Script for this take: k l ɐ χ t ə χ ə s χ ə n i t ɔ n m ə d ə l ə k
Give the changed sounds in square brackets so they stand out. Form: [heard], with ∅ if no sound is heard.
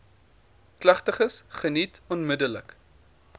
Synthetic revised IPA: k l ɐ χ t ə χ ə s χ ə n i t ɔ n m ə d ə l ə k

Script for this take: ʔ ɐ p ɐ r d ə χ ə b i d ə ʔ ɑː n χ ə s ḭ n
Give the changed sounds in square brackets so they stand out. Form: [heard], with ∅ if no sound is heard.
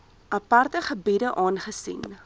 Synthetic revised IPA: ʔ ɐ p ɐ r [t] ə χ ə b i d ə ʔ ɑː n χ ə s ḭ n

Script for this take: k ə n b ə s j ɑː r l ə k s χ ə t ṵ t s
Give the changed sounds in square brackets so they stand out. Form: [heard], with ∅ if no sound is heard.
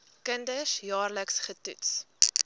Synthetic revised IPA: k ə n [d] ə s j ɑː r l ə k s χ ə t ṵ t s

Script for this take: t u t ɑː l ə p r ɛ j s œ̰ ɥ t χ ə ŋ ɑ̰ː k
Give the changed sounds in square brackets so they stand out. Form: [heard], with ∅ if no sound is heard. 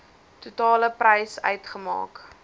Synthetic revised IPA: t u t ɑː l ə p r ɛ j s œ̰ ɥ t χ ə [m] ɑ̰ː k

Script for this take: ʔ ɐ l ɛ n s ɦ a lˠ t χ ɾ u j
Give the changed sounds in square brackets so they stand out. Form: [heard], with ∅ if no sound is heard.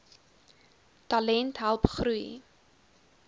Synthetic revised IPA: [t] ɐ l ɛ n [t] ɦ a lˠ [p] χ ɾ u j

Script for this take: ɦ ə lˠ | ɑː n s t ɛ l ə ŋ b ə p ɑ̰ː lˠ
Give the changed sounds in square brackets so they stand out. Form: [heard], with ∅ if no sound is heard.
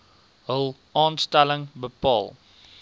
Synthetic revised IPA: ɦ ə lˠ | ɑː n s t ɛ l ə ŋ b ə p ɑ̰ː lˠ

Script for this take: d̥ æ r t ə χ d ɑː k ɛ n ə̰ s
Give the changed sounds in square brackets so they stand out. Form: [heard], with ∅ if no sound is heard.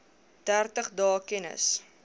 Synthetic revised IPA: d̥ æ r t ə χ d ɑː k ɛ n ə̰ s

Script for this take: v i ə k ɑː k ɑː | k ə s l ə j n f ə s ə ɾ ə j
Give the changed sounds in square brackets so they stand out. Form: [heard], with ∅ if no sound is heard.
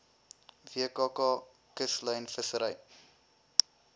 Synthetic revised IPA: v i ə k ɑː k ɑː | k ə s l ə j n f ə s ə ɾ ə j

